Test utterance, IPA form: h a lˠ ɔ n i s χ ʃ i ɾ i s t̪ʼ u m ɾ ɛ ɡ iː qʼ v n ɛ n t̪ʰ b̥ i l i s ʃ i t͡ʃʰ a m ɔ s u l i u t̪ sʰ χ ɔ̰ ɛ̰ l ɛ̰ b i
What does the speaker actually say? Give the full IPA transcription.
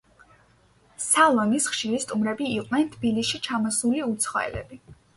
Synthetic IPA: s a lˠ ɔ n i s χ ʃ i ɾ i s t̪ʼ u m ɾ ɛ b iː qʼ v n ɛ n t̪ʰ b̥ i l i s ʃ i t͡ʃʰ a m ɔ s u l i u t̪ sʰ χ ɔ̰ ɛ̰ l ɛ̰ b i